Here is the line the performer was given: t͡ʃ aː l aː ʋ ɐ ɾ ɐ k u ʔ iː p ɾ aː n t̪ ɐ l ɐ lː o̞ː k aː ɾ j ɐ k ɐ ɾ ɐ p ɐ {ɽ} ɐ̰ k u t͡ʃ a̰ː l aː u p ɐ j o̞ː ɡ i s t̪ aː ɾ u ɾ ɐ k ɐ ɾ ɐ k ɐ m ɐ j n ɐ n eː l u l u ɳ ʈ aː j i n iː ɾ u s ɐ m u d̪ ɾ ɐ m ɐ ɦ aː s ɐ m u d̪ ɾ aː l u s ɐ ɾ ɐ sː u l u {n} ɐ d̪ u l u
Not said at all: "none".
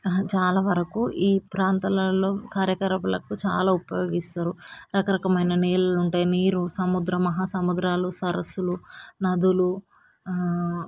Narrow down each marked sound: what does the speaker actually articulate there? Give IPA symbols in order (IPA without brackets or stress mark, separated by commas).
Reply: l, n